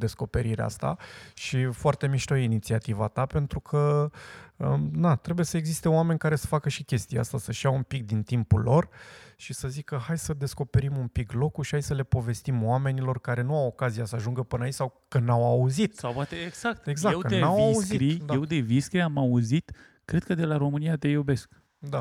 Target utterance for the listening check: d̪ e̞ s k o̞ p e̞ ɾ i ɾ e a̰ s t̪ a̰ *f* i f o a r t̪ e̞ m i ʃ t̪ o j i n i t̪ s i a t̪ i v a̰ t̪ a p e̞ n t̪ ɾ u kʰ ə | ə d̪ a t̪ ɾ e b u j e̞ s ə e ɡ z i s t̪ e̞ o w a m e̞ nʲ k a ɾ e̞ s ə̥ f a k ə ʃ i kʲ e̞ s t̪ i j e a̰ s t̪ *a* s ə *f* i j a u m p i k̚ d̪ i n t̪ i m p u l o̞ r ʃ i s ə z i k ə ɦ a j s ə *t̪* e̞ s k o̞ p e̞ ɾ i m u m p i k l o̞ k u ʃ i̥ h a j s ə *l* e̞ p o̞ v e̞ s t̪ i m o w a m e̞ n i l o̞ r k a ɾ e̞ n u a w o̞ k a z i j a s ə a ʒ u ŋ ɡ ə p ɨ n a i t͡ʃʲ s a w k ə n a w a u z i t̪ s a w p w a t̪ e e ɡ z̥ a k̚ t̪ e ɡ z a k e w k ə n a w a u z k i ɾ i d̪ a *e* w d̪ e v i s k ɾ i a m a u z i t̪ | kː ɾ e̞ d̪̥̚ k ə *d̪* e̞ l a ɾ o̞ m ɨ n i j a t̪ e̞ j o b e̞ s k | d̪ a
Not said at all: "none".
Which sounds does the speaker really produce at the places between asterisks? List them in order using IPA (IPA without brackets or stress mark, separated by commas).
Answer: ʃ, a, ʃ, d̪, l, e, d̪